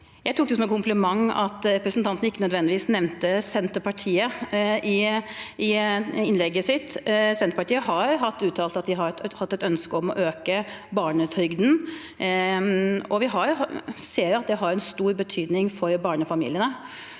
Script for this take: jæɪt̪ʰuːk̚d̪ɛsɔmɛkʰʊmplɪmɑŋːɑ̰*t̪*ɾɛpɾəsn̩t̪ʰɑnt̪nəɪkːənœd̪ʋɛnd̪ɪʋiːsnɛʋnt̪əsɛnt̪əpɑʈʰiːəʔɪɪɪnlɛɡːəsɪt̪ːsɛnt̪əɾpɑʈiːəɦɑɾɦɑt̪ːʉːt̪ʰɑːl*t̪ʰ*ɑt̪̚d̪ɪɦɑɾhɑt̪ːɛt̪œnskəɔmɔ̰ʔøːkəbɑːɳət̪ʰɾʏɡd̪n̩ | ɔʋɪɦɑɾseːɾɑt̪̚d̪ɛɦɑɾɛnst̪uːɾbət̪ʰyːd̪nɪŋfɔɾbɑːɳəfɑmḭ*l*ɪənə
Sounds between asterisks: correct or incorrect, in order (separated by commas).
correct, incorrect, correct